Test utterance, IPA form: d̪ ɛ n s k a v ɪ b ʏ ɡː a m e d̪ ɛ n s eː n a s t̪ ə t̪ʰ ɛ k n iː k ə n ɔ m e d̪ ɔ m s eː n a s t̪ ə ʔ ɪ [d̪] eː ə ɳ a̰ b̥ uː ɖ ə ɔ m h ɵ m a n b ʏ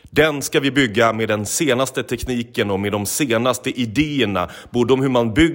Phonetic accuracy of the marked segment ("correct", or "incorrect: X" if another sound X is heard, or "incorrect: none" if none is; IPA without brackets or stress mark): correct